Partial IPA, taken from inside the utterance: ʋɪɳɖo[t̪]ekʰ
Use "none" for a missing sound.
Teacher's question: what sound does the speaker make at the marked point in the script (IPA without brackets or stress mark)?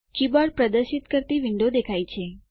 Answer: d̪